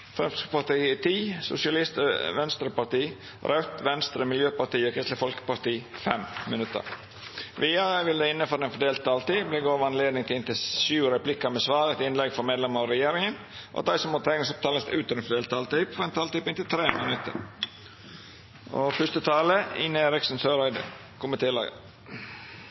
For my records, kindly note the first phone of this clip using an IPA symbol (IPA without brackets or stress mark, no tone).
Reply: f